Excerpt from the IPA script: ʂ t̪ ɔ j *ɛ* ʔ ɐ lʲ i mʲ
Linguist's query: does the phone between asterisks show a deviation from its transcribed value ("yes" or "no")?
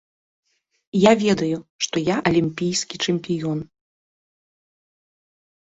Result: yes